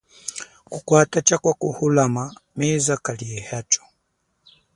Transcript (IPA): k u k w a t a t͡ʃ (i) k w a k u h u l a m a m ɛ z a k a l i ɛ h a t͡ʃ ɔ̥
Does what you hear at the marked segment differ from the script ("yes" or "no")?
yes